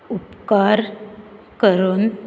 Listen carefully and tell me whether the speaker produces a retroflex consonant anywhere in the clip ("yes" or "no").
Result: no